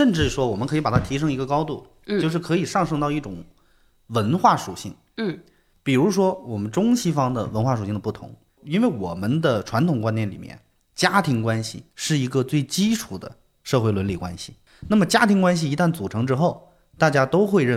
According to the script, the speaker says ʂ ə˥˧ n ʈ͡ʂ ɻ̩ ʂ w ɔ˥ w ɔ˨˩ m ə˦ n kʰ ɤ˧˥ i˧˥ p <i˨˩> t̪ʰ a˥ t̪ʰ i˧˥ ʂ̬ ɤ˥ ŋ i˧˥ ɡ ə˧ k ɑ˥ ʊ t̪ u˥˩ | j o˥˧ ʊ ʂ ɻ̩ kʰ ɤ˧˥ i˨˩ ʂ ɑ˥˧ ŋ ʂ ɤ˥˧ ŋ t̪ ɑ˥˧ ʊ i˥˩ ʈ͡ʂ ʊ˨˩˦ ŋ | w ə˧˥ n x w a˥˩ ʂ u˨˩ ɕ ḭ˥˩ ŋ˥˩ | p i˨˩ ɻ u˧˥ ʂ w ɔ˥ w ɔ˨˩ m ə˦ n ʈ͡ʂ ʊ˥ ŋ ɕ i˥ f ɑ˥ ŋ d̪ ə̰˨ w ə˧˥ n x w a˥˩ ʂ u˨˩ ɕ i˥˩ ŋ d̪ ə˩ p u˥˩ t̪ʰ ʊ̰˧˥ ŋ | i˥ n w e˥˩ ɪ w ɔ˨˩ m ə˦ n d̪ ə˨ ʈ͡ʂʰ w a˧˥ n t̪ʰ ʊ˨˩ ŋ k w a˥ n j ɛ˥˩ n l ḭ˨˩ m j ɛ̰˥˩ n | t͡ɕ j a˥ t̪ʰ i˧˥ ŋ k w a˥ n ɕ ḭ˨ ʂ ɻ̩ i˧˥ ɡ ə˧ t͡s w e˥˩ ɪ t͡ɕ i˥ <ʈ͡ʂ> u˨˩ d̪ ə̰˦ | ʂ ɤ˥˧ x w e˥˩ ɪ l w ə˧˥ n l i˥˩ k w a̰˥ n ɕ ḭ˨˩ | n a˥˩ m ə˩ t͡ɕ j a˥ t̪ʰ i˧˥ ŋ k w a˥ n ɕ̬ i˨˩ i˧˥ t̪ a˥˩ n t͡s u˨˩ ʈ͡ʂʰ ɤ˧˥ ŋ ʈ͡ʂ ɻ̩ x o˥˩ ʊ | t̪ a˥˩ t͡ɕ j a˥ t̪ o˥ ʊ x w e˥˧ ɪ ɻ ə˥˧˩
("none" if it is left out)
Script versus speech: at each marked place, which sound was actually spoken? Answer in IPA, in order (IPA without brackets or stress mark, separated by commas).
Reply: a˨˩, ʈ͡ʂʰ